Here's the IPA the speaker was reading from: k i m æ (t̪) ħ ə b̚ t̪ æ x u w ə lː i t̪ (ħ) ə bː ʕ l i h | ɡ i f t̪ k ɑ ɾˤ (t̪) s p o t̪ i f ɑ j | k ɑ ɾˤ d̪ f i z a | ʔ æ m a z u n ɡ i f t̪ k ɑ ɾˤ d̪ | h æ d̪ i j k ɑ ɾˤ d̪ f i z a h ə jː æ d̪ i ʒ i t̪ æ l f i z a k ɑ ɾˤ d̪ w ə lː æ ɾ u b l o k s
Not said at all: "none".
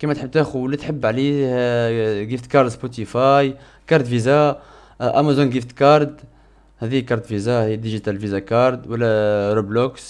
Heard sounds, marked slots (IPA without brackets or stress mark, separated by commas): t̪, ħ, d̪